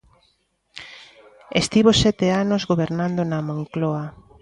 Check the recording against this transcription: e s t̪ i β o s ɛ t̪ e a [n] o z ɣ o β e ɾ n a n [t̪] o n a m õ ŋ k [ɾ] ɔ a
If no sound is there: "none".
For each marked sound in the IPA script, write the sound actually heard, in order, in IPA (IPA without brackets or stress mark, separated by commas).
n, d̪, l